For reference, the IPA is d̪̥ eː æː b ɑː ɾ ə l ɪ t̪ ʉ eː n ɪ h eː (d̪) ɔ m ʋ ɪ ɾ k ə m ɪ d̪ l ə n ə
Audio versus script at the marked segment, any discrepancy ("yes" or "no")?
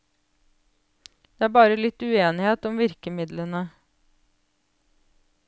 yes